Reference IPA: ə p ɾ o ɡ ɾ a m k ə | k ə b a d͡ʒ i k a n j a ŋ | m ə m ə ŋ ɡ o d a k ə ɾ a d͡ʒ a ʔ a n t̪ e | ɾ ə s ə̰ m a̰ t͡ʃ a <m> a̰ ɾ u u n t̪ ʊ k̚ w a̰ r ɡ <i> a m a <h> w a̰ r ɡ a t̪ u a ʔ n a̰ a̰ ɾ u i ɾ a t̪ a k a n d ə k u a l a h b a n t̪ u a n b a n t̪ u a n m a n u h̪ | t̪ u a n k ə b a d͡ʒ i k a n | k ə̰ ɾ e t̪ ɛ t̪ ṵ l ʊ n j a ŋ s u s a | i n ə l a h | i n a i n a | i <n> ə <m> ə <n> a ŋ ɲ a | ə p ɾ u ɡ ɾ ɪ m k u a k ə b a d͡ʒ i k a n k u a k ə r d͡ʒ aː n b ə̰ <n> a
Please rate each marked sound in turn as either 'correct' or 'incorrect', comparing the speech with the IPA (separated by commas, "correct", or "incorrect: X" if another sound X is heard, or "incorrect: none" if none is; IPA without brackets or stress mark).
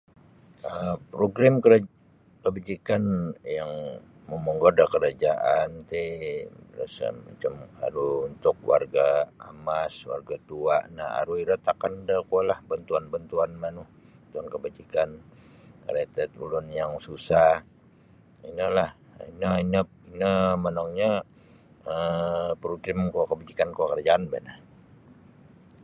correct, incorrect: a, incorrect: s, correct, correct, correct, correct